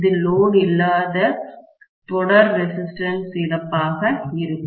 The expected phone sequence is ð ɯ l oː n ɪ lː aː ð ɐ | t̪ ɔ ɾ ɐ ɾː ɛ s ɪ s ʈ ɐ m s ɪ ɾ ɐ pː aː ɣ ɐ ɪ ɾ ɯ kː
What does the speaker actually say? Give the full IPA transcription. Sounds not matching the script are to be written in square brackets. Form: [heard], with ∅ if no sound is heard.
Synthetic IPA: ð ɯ l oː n ɪ lː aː ð ɐ | t̪ ɔ [ɽ] ɐ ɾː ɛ s ɪ s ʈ ɐ [n] s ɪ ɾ ɐ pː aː ɣ ɐ ɪ ɾ ɯ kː